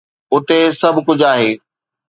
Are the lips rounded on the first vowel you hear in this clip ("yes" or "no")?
yes